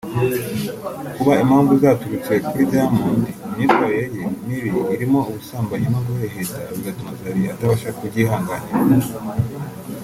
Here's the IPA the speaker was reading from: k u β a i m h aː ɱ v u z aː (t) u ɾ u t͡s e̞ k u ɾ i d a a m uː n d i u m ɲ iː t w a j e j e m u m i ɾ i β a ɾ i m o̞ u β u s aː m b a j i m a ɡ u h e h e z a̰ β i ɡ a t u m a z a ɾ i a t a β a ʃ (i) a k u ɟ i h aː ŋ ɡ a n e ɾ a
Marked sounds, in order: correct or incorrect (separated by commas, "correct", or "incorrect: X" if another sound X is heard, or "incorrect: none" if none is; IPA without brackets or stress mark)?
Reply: correct, incorrect: a